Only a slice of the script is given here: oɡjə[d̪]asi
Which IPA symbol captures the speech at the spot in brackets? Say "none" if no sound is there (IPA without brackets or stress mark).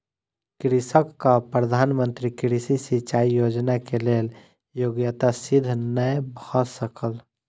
t̪